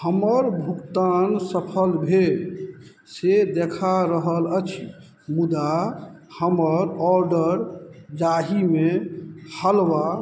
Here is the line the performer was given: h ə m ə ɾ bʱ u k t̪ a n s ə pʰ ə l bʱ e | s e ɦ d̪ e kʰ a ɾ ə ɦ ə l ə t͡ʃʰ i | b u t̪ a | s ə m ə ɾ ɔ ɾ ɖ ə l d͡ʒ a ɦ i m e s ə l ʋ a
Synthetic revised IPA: h ə m ə ɾ bʱ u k t̪ a n s ə pʰ ə l bʱ e | s e d̪ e kʰ a ɾ ə ɦ ə l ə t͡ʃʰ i | m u d̪ a | h ə m ə ɾ ɔ ɾ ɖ ə ɾ d͡ʒ a ɦ i m e h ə l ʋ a